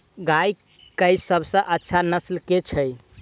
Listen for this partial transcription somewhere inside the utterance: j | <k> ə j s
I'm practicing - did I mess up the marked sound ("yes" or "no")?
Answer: no